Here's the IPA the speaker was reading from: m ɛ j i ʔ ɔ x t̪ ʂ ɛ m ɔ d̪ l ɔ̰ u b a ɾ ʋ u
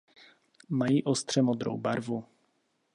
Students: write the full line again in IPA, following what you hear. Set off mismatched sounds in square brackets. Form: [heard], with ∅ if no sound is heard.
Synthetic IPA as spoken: m [a] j i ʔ ɔ [s] t̪ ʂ ɛ m ɔ d̪ [ɾ] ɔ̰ [w] b a ɾ [v] u